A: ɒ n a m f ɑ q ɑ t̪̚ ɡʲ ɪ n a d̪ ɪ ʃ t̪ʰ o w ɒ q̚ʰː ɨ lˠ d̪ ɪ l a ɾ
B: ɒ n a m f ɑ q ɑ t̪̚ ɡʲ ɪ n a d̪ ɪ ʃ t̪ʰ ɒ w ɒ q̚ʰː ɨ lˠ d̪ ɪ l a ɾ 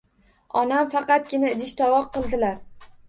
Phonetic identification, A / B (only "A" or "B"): B